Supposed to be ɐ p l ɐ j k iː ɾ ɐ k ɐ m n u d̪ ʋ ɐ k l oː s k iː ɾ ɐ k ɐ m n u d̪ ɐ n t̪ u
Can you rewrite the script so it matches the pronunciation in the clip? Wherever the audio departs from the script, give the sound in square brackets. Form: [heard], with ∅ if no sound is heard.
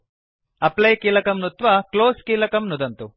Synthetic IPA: ɐ p l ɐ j k iː [l] ɐ k ɐ m n u [t̪] ʋ ɐ k l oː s k iː [l] ɐ k ɐ m n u d̪ ɐ n t̪ u